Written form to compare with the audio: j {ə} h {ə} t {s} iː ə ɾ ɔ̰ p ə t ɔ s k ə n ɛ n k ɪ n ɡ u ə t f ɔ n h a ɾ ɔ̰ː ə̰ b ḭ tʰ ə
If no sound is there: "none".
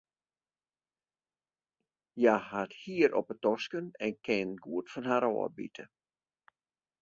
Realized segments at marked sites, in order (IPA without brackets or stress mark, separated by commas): a, a, h